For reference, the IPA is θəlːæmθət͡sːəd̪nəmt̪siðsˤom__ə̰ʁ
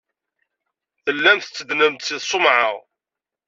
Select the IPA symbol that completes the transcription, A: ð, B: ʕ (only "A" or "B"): B